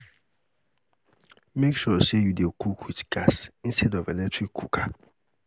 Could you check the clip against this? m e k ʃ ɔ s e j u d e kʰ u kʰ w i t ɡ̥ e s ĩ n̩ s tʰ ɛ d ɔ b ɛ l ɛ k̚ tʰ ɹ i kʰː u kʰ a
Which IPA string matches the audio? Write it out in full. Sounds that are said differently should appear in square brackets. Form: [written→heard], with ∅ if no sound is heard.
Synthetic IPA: m e k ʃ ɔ s e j u d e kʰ u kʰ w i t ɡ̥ [e→a] s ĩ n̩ s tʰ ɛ d ɔ [b→v] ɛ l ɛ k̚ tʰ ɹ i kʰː u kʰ a